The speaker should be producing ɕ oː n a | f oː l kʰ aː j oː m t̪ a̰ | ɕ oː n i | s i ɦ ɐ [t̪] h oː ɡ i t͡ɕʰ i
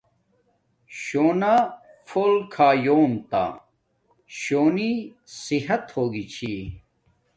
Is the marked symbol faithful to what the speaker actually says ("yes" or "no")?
yes